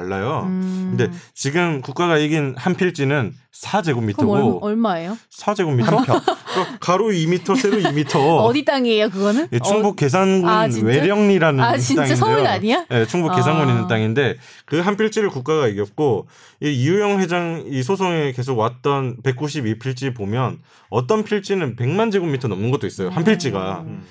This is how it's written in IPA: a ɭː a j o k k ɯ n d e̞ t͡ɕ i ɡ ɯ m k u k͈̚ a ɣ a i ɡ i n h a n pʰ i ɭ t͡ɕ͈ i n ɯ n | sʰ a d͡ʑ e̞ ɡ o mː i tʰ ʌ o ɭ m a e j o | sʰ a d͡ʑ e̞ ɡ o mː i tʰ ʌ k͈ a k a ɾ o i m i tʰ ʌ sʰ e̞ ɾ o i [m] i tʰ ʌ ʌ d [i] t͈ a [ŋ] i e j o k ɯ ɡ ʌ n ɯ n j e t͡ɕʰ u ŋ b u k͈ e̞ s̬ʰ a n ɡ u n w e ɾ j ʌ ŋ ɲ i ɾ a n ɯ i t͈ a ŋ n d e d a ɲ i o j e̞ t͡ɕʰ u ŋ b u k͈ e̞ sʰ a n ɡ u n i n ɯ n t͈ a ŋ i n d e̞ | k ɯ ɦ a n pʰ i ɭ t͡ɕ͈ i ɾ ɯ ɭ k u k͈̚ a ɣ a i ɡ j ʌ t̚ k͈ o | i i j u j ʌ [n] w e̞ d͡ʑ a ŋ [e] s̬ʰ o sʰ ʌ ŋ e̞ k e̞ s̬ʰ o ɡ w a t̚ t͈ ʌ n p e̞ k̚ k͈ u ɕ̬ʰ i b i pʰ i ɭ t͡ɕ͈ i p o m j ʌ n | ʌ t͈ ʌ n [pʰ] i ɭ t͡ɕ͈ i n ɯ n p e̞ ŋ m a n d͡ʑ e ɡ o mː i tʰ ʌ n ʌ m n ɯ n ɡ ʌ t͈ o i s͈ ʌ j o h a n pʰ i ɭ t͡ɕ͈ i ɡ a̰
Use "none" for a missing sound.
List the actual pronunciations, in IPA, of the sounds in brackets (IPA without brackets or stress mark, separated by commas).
m, i, ŋ, ŋ, i, pʰ